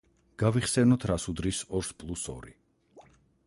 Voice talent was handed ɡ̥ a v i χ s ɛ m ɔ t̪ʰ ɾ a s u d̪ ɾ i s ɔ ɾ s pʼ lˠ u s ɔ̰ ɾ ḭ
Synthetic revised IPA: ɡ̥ a v i χ s ɛ n ɔ t̪ʰ ɾ a s u d̪ ɾ i s ɔ ɾ s pʼ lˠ u s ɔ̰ ɾ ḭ